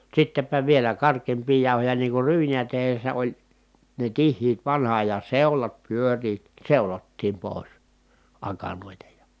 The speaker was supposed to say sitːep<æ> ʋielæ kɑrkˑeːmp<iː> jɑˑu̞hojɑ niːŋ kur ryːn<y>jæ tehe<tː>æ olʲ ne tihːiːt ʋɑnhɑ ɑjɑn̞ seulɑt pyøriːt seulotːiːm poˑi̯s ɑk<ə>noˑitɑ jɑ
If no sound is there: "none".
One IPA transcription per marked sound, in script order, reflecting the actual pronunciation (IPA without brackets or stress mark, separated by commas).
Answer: æ, iː, i, sː, ɑ